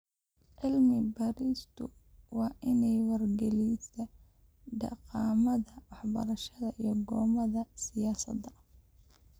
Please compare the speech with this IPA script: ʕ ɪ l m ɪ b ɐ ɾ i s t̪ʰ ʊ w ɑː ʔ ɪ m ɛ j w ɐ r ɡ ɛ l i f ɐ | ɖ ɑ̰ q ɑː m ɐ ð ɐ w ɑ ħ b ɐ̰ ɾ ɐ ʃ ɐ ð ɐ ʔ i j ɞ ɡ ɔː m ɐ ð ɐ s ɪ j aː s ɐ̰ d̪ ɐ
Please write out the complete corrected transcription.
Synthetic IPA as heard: ʕ ɪ l m ɪ b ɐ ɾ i s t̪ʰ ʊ w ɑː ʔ ɪ n ɛ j w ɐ r ɡ ɛ l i s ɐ | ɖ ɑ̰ q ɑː m ɐ ð ɐ w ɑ ħ b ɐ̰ ɾ ɐ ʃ ɐ ð ɐ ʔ i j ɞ ɡ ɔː m ɐ ð ɐ s ɪ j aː s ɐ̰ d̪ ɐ